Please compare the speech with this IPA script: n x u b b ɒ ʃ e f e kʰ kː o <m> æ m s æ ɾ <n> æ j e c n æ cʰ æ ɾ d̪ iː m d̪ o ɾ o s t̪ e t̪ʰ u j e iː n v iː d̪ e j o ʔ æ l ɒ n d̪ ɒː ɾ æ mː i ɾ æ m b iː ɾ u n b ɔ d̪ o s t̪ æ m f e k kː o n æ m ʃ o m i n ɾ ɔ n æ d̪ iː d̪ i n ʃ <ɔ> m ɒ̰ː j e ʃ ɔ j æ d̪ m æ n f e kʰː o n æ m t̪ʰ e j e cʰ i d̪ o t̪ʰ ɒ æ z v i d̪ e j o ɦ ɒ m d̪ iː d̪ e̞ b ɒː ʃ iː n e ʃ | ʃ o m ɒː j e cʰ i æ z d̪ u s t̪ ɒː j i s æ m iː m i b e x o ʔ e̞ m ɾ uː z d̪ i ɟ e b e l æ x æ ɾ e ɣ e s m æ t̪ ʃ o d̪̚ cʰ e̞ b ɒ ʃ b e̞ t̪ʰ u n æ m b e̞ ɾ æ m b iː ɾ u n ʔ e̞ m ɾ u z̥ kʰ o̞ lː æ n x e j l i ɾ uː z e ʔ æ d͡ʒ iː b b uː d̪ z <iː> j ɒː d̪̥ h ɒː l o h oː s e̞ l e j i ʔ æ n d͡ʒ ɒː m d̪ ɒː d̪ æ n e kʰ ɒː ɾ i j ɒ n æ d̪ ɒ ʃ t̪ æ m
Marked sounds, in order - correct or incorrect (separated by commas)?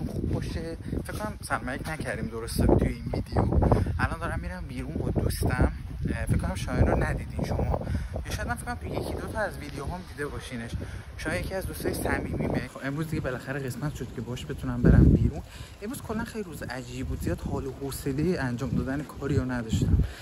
incorrect, incorrect, incorrect, incorrect